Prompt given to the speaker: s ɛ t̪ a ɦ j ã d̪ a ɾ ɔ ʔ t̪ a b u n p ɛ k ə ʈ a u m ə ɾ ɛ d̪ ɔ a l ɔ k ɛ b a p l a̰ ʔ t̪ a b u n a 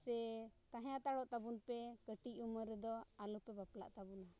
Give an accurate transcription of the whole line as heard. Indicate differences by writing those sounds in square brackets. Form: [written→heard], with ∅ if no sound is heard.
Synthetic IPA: s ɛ t̪ a ɦ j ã [d̪→t̪] a [ɾ→ɽ] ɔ ʔ t̪ a b u n p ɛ k ə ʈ [a→i] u m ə ɾ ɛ d̪ ɔ a l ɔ [k→p] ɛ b a p l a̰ ʔ t̪ a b u n a